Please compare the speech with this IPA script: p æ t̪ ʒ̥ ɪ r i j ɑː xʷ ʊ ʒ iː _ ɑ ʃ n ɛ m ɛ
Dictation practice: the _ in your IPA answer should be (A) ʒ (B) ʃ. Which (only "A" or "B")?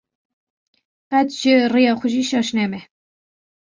B